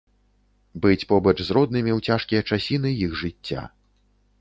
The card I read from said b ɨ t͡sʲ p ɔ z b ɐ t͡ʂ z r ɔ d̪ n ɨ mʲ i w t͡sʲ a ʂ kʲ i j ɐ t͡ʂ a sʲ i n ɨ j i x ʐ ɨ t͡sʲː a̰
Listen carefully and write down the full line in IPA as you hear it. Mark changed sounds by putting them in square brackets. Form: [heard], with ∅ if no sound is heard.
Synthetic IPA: b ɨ t͡sʲ p ɔ [∅] b ɐ t͡ʂ z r ɔ d̪ n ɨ mʲ i w t͡sʲ a ʂ kʲ i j ɐ t͡ʂ a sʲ i n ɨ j i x ʐ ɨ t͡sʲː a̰